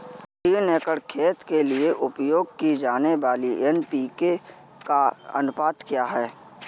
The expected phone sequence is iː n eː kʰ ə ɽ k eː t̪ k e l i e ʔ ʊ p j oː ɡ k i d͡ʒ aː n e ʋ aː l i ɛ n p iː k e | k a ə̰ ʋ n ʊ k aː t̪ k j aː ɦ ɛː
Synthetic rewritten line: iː n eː k ə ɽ kʰ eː t̪ k e l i e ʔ ʊ p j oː ɡ k i d͡ʒ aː n e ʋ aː l i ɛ n p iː k e | k a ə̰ n ʊ p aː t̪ k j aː ɦ ɛː